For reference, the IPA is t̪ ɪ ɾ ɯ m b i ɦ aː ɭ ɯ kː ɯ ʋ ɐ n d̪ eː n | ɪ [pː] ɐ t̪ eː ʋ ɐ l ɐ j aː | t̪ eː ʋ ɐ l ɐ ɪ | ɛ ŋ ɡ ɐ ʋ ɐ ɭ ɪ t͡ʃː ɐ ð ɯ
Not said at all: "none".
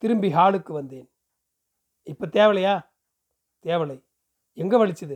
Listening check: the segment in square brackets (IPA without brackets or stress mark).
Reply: pː